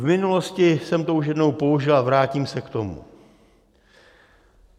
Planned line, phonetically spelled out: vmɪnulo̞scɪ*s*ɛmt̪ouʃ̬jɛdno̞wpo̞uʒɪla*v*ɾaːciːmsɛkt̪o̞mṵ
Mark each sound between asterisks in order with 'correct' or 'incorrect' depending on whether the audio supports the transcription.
correct, correct

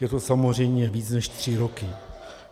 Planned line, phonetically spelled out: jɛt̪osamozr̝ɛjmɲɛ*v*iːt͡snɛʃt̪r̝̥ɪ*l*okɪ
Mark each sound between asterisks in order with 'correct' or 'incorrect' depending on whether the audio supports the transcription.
correct, incorrect: ɾ

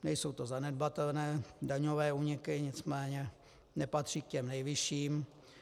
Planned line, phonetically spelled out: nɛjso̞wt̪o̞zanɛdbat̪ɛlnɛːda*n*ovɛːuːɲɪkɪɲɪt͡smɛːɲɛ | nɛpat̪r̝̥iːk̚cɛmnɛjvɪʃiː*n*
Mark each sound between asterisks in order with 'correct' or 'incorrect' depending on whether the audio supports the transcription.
incorrect: ɲ, incorrect: m

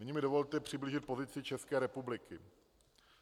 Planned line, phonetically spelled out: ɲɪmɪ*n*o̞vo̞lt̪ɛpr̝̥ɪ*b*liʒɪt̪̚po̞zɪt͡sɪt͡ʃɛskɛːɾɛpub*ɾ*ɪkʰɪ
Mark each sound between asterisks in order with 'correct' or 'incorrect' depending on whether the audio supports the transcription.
incorrect: d, correct, incorrect: l

